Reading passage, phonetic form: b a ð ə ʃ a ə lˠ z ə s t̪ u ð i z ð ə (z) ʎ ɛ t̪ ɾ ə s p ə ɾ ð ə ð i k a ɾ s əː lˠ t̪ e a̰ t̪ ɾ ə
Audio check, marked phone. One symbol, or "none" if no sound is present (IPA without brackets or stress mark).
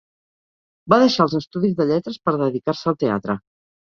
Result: none